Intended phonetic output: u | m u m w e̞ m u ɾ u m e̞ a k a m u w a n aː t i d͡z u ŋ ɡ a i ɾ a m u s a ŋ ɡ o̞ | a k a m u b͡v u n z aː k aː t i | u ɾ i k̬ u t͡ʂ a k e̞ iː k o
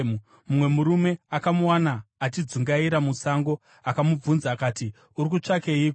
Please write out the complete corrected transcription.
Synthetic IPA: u | m u m w e̞ m u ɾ u m e̞ a k a m u w a n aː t i d͡z u ŋ ɡ a i ɾ a m u s a ŋ ɡ o̞ | a k a m u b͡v u n z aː k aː t i | u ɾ i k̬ u t͡ʂ a k e̞ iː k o